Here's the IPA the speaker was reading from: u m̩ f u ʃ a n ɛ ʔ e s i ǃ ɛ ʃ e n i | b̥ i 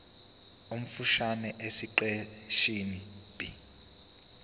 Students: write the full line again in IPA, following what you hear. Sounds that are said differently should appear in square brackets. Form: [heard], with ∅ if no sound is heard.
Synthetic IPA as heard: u m̩ f u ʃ a n ɛ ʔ e s i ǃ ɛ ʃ [i] n i | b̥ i